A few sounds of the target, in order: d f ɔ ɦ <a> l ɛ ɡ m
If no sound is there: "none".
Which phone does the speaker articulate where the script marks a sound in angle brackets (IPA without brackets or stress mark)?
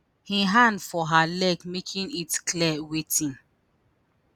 a